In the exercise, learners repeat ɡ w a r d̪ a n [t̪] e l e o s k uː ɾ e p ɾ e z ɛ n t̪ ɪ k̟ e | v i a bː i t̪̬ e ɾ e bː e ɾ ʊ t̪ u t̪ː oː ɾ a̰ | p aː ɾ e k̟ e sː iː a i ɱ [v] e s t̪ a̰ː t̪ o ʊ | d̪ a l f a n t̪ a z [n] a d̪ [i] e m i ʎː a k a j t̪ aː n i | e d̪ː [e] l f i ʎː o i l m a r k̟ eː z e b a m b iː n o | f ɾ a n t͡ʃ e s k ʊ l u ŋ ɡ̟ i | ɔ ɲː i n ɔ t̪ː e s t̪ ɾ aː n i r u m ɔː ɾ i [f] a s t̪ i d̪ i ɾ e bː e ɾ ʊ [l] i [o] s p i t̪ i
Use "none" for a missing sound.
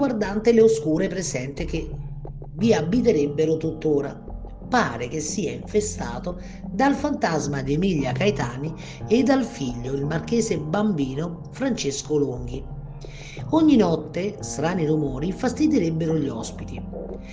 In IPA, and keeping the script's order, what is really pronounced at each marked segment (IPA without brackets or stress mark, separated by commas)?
t̪, f, m, i, a, f, ʎ, ɔ